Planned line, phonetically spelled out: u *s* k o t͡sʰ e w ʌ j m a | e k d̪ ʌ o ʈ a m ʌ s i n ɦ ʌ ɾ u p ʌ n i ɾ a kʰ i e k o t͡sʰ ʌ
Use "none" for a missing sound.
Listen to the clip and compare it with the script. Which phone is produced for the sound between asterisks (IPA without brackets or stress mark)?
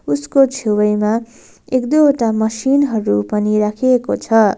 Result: s